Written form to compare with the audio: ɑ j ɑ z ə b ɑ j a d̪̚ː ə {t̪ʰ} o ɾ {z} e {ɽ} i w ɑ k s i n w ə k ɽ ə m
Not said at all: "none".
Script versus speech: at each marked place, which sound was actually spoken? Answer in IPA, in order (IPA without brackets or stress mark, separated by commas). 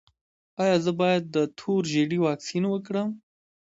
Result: t̪ʰ, ʒ, ɽ